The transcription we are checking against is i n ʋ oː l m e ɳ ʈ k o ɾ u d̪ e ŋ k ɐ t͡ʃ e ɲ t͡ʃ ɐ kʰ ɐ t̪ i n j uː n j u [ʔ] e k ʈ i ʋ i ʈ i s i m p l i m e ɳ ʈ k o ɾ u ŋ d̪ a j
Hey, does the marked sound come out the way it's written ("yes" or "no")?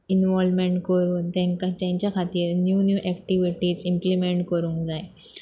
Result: yes